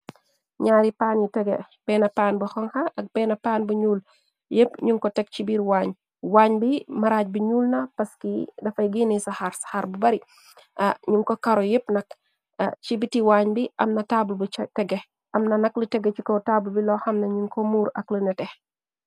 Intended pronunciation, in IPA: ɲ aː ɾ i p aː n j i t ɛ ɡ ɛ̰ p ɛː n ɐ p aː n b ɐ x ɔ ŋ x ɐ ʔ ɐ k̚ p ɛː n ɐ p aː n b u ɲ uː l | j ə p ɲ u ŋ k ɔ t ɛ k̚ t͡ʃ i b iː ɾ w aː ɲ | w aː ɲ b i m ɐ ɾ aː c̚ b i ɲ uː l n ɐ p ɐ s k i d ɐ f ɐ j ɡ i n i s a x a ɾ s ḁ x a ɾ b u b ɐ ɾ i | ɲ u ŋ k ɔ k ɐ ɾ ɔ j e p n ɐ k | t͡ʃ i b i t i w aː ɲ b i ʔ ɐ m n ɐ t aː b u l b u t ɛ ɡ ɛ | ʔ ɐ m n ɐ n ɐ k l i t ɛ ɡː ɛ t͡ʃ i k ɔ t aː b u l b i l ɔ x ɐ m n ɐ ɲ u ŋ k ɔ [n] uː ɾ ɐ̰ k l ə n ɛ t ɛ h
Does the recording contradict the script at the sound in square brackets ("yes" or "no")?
yes